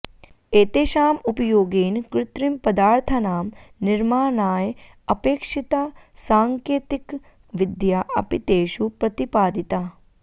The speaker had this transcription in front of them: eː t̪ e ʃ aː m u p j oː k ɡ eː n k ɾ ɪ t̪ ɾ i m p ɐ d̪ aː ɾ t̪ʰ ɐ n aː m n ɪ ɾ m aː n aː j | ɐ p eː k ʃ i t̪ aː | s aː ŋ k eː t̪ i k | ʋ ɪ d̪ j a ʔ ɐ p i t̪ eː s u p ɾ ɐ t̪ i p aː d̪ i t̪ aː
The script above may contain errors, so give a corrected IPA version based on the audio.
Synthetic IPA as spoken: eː t̪ e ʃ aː m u p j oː ɡ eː n k ɾ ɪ t̪ ɾ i m p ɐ d̪ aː ɾ t̪ʰ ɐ n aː m n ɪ ɾ m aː n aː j | ɐ p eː k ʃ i t̪ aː | s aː ŋ k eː t̪ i k | ʋ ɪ d̪ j a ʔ ɐ p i t̪ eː ʃ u p ɾ ɐ t̪ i p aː d̪ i t̪ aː